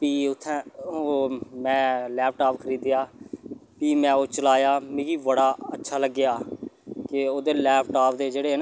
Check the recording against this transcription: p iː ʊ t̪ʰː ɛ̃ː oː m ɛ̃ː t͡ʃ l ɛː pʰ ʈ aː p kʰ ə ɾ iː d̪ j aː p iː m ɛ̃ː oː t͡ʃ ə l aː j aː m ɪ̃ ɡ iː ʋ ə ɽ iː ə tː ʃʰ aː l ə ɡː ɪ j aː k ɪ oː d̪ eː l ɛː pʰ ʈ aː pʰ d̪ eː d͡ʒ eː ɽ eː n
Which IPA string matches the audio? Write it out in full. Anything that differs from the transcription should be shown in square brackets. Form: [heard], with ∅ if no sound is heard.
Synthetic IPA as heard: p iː ʊ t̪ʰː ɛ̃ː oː m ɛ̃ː [∅] l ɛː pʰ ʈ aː p kʰ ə ɾ iː d̪ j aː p iː m ɛ̃ː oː t͡ʃ ə l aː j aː m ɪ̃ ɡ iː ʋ ə ɽ [aː] ə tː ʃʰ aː l ə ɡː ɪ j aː k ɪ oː d̪ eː l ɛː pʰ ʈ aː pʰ d̪ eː d͡ʒ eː ɽ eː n

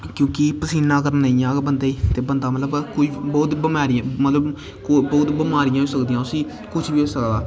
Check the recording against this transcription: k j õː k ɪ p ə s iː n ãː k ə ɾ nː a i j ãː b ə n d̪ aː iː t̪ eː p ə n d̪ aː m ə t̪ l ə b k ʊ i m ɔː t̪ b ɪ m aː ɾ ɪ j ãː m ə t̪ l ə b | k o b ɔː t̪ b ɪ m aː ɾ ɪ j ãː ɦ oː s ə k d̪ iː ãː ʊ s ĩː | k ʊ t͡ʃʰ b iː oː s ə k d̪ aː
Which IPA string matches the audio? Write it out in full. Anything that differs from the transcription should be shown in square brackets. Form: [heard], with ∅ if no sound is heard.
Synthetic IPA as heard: k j õː k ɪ p ə s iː n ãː k ə ɾ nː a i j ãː b ə n d̪ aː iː t̪ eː [b] ə n d̪ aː m ə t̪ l ə b k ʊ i [b] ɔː t̪ b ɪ m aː ɾ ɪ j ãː m ə t̪ l ə b | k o b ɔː t̪ b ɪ m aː ɾ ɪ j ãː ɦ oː s ə k d̪ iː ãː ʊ s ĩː | k ʊ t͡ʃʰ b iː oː s ə k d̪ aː

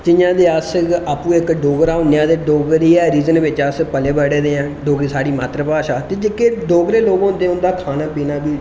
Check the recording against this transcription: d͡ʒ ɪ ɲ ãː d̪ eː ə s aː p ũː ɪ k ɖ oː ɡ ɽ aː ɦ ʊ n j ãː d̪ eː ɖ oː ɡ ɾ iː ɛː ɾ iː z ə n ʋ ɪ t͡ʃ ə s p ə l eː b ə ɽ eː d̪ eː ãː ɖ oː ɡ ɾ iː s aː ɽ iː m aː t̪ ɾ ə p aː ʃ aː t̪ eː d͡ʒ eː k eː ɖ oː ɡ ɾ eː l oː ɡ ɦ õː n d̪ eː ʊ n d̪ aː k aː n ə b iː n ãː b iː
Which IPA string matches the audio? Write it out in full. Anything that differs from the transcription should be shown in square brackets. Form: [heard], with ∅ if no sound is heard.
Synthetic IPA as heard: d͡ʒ ɪ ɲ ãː d̪ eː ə s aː p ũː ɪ k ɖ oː ɡ [ɾ] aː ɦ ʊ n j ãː d̪ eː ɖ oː ɡ ɾ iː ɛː ɾ iː z ə n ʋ ɪ t͡ʃ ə s p ə l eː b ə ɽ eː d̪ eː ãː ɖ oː ɡ ɾ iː s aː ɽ iː m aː t̪ ɾ ə p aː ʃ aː t̪ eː d͡ʒ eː k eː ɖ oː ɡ ɾ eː l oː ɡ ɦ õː n d̪ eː ʊ n d̪ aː [kʰ] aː n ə b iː n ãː b iː

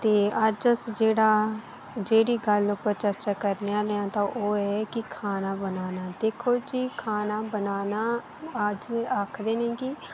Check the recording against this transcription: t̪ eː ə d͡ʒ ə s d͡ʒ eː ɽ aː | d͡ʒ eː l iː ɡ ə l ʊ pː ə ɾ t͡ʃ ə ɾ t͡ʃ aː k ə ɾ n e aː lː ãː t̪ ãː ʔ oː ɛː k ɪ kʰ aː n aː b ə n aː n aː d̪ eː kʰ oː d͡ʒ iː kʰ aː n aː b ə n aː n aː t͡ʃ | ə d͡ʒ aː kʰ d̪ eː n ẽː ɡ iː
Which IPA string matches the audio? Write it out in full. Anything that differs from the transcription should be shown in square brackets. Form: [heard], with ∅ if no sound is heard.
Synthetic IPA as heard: t̪ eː ə d͡ʒ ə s d͡ʒ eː ɽ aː | d͡ʒ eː [ɽ] iː ɡ ə l ʊ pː ə ɾ t͡ʃ ə ɾ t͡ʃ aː k ə ɾ n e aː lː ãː t̪ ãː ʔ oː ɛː k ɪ kʰ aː n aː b ə n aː n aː d̪ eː kʰ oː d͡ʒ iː kʰ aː n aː b ə n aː n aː [∅] | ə d͡ʒ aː kʰ d̪ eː n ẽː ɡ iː

